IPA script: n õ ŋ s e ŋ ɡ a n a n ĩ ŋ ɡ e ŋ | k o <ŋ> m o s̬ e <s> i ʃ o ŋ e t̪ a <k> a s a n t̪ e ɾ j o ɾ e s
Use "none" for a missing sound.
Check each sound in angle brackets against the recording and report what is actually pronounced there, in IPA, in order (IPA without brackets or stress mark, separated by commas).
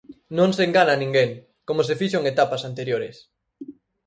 none, f, p